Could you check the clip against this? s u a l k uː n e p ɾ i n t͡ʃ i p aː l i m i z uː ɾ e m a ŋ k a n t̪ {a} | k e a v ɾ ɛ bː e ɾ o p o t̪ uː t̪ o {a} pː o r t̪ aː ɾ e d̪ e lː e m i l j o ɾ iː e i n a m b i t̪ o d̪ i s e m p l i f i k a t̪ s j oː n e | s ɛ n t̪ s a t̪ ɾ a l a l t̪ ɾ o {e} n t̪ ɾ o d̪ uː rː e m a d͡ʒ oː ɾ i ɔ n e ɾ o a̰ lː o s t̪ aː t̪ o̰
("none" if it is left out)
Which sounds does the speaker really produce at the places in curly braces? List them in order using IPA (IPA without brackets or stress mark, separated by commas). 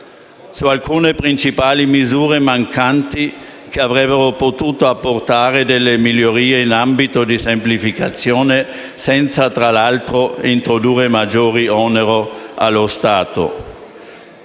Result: i, a, i